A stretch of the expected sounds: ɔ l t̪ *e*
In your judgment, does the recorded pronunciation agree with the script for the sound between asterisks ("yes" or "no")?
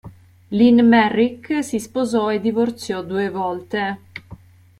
yes